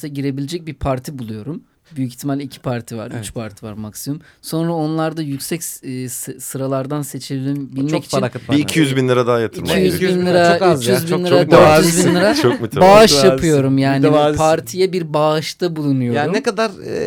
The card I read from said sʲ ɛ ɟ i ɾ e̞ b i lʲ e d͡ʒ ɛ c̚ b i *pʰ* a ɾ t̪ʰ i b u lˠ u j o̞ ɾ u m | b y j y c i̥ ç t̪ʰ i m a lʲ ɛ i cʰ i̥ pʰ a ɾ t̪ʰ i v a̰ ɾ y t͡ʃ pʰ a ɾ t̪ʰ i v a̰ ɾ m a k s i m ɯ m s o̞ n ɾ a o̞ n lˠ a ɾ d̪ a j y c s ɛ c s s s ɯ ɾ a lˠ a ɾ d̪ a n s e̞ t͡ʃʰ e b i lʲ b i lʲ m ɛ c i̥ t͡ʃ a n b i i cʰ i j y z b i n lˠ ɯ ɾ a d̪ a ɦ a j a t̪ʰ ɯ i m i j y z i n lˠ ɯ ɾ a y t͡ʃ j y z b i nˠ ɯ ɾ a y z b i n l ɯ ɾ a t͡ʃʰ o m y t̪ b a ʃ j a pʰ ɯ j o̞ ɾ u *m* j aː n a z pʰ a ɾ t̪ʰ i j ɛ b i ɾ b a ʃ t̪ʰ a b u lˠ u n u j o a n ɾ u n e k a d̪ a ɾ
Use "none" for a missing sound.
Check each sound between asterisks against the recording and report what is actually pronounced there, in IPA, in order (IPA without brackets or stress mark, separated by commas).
pʰ, m